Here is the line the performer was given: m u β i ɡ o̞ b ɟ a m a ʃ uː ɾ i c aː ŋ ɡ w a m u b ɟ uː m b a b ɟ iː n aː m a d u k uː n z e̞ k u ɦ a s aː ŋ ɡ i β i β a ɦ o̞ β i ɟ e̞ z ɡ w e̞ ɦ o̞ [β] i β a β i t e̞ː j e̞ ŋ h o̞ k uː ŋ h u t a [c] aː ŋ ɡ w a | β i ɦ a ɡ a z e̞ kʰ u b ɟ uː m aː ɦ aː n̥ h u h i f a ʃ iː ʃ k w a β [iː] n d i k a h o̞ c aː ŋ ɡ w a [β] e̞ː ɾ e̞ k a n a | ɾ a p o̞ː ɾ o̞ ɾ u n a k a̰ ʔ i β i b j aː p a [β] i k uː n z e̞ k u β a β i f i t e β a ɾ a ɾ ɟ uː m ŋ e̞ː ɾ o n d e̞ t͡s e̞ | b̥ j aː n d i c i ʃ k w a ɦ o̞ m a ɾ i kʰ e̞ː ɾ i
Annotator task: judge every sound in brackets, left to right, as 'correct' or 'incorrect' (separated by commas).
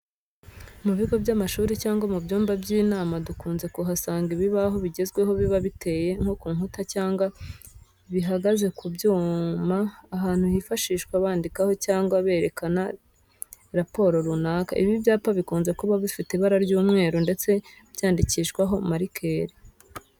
correct, correct, incorrect, correct, correct